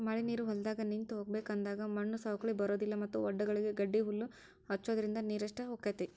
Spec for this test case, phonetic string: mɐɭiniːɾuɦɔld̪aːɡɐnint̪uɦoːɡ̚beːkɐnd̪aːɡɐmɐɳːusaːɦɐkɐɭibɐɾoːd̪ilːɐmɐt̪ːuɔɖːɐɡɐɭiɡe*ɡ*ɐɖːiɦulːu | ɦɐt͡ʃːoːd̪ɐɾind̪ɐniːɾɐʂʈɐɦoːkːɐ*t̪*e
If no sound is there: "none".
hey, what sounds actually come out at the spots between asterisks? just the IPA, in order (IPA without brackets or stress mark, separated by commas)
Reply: ɡ, t̪